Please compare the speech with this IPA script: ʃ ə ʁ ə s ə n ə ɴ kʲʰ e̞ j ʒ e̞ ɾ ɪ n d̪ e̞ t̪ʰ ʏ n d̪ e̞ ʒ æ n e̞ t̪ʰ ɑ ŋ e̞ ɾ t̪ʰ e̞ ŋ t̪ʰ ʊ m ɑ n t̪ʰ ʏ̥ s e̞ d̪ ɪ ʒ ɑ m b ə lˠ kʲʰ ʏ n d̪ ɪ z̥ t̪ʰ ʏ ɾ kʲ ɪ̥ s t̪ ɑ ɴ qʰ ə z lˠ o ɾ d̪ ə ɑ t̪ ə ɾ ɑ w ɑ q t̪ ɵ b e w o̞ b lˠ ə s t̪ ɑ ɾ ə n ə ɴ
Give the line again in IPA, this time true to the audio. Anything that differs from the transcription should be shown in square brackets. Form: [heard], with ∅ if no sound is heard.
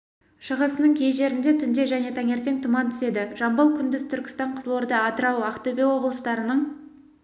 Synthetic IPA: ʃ ə ʁ ə s ə n ə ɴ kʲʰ e̞ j ʒ e̞ ɾ ɪ n d̪ e̞ t̪ʰ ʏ n d̪ e̞ ʒ æ n e̞ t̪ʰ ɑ ŋ e̞ ɾ [t̪] e̞ ŋ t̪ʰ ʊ m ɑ n t̪ʰ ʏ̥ s e̞ d̪ ɪ ʒ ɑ m b ə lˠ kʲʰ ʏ n d̪ ɪ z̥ t̪ʰ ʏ ɾ kʲ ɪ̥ s t̪ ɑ ɴ qʰ ə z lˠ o ɾ d̪ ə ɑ t̪ ə ɾ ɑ w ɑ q t̪ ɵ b e w o̞ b lˠ ə s t̪ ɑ ɾ ə n ə ɴ